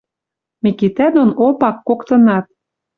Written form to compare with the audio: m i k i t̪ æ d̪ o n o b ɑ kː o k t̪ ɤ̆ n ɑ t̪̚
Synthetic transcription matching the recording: m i k i t̪ æ d̪ o n o p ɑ kː o k t̪ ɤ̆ n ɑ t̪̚